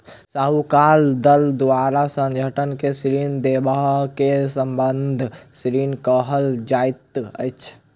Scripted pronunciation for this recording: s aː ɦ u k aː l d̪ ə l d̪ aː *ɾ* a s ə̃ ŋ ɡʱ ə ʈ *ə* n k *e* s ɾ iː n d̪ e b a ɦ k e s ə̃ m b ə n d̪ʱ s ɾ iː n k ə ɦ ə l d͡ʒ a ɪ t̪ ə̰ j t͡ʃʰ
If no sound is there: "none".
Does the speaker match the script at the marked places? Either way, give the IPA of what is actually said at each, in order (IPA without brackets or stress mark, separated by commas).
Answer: ɾ, ə, e